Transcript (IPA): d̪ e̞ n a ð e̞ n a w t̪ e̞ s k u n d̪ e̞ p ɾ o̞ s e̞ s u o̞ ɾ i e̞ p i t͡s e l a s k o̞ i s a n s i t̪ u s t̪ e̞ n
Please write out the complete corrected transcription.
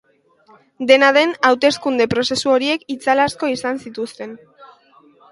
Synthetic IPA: d̪ e̞ n a ð e̞ n a w t̪ e̞ s k u n d̪ e̞ p ɾ o̞ s e̞ s u o̞ ɾ i e̞ k i t͡s a l a s k o̞ i s a n s i t̪ u s t̪ e̞ n